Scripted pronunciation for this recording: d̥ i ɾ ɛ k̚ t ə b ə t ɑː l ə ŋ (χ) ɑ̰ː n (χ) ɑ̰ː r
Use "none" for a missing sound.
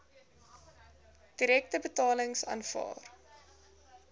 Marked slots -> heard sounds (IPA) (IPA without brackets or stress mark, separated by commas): s, f